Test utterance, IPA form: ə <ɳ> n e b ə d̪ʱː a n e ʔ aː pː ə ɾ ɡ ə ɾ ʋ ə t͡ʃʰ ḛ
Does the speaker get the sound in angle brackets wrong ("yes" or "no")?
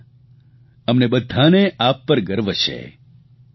yes